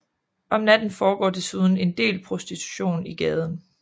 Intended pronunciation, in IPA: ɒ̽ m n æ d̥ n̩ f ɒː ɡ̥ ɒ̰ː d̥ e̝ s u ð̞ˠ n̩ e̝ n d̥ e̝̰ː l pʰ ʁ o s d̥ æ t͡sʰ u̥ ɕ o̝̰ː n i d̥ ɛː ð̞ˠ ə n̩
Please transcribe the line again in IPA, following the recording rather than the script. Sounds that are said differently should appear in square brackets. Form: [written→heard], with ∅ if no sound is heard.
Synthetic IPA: ɒ̽ m n æ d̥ n̩ f ɒː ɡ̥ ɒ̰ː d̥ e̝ s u ð̞ˠ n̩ e̝ n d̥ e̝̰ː l pʰ ʁ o s d̥ [æ→i] t͡sʰ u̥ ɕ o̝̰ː n i [d̥→ɡ̥] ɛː ð̞ˠ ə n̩